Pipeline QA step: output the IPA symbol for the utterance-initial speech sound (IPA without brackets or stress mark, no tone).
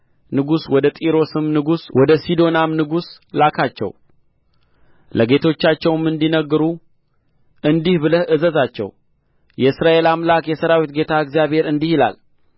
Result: n